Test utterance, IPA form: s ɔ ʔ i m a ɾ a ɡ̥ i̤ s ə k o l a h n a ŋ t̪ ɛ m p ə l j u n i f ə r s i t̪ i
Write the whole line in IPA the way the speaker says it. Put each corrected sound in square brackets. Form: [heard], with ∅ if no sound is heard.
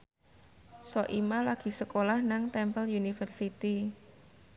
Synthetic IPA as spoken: s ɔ ʔ i m a [l] a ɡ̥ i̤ s ə k o l a h n a ŋ t̪ ɛ m p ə l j u n i f ə r s i t̪ i